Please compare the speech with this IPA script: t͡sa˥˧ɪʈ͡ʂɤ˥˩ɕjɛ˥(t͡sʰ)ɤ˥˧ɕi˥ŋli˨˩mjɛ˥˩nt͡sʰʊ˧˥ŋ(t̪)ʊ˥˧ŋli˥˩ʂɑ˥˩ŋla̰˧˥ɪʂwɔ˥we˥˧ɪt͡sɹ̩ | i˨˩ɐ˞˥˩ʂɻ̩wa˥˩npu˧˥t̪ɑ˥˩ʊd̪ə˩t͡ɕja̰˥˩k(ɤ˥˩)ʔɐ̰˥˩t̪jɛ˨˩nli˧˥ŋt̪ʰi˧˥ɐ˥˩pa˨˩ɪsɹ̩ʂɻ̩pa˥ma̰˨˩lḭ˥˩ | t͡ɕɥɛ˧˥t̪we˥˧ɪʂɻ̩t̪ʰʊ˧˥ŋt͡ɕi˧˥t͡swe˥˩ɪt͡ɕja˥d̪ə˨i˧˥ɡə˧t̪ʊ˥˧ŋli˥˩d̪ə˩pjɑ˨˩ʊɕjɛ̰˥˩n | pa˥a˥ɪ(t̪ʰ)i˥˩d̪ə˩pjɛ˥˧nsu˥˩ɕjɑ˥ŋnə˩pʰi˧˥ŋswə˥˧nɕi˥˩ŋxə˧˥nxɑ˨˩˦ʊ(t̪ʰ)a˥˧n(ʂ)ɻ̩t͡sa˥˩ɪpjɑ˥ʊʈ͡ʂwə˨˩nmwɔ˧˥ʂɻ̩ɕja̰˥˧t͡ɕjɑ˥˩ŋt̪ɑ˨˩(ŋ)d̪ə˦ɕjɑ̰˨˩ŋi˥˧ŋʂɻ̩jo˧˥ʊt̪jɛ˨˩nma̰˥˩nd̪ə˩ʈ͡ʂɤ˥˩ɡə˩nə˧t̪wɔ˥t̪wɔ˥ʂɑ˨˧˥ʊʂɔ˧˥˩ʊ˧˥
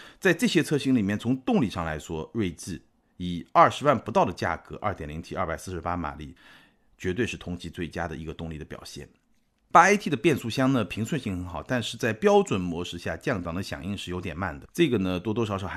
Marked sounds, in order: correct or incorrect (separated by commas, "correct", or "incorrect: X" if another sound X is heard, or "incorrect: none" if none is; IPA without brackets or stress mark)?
correct, correct, incorrect: ɤ˧˥, correct, incorrect: t̪, correct, correct